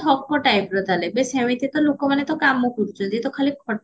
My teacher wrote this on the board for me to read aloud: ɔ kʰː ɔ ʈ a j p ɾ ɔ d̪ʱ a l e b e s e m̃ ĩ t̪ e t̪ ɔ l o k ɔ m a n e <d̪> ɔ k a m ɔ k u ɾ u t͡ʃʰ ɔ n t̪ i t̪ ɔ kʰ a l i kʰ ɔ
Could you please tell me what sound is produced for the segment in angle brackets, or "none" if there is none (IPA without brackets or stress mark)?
t̪